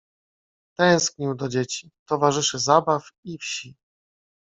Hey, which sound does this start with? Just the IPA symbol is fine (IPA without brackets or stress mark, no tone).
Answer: t̪